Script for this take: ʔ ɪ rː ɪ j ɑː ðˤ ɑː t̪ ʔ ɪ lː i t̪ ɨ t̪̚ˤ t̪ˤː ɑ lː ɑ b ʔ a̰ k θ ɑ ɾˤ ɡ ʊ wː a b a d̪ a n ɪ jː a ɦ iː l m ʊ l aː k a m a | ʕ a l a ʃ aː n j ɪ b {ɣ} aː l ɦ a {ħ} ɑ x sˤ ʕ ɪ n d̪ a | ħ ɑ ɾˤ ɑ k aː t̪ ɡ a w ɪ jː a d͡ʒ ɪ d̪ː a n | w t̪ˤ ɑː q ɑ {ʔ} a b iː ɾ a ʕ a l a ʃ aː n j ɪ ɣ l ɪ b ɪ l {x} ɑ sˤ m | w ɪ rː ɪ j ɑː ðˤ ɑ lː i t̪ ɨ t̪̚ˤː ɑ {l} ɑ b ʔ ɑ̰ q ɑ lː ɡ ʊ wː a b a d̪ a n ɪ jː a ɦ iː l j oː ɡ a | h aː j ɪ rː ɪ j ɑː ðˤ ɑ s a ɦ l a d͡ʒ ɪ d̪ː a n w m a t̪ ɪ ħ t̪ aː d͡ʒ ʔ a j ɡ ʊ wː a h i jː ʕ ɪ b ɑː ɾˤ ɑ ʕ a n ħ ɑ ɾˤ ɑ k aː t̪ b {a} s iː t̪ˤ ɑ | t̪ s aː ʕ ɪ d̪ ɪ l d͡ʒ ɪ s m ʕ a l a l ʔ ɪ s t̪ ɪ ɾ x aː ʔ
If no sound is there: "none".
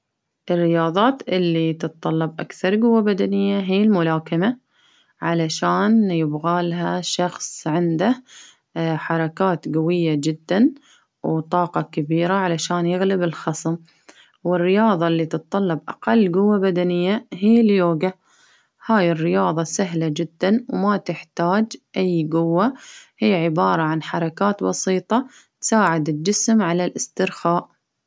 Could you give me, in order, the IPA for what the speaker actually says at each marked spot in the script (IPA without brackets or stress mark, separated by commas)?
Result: ɣ, ʃ, k, x, lː, ɑ